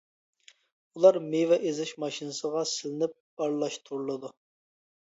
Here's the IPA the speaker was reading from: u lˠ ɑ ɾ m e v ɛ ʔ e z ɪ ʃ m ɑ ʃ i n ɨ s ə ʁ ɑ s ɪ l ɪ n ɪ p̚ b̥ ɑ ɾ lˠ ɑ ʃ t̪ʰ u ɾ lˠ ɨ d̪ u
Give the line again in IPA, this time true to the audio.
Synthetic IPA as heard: u lˠ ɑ ɾ m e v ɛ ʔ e z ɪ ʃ m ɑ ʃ i n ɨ s ə ʁ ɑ s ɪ l ɪ n ɪ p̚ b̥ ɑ ɾ lˠ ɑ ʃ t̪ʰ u ɾ lˠ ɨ d̪ u

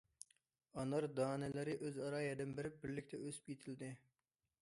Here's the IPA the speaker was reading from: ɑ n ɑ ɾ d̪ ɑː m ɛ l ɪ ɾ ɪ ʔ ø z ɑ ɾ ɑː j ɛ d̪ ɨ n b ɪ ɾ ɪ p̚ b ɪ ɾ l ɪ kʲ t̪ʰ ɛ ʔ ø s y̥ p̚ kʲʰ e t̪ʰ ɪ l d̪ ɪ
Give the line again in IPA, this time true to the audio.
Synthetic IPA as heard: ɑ n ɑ ɾ d̪ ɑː n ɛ l ɪ ɾ ɪ ʔ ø z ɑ ɾ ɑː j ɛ d̪ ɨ n b ɪ ɾ ɪ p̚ b ɪ ɾ l ɪ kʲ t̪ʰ ɛ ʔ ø s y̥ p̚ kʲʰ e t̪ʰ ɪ l d̪ ɪ

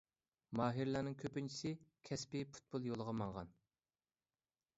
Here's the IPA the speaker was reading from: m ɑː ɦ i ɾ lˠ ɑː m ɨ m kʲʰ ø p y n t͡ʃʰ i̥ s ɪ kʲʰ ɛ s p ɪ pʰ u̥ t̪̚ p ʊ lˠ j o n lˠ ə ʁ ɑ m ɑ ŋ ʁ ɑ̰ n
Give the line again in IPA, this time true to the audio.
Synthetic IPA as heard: m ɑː ɦ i ɾ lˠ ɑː n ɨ ŋ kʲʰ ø p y n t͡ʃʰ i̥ s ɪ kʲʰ ɛ s p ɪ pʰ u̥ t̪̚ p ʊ lˠ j o lˠ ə ʁ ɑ m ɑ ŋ ʁ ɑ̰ n

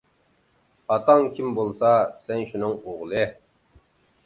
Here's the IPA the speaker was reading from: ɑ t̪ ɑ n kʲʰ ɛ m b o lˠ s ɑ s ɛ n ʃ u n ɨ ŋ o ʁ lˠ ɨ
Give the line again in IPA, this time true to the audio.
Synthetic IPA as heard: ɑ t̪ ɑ ŋ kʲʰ i m b o lˠ s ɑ s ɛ n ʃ u n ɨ ŋ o ʁ lˠ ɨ

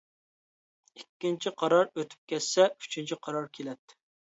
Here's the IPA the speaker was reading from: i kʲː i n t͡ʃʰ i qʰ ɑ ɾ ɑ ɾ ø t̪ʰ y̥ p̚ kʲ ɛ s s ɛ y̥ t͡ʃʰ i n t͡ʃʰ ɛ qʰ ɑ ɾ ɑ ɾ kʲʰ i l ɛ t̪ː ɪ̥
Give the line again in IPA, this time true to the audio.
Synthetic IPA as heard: i kʲː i n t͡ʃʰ i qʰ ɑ ɾ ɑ ɾ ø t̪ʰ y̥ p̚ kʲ ɛ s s ɛ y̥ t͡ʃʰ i n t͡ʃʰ i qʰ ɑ ɾ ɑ ɾ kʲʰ e l ɛ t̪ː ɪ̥

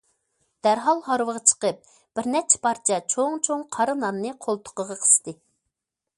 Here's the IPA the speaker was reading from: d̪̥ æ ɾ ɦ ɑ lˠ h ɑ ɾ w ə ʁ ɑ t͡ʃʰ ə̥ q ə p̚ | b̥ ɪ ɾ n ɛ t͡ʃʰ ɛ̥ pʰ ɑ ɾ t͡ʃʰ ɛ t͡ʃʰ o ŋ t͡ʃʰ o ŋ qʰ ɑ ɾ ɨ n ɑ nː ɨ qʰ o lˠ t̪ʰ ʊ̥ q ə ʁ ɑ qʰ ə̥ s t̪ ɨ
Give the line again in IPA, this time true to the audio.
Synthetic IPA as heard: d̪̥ æ ɾ ɦ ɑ lˠ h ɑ ɾ w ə ʁ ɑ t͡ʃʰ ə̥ q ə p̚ | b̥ ɪ ɾ n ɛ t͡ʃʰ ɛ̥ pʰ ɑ ɾ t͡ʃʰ ɛ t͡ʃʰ o ŋ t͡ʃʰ o ŋ qʰ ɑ ɾ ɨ n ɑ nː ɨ qʰ o lˠ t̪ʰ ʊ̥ q ə ʁ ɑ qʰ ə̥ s t̪ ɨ

